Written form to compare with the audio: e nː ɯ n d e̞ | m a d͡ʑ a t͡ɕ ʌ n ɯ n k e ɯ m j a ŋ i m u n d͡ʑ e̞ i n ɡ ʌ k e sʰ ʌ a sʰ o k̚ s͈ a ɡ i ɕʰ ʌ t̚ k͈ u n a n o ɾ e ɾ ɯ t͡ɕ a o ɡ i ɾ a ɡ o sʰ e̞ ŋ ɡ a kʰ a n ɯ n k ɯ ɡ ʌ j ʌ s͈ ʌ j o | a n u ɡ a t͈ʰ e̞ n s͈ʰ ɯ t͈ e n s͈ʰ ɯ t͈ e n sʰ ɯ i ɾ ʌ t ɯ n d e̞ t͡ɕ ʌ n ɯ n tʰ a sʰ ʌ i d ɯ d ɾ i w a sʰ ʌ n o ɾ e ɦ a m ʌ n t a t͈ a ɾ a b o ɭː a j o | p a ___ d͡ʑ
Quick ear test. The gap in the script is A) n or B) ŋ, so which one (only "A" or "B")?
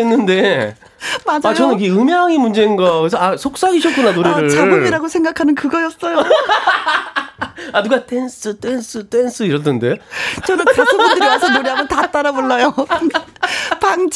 B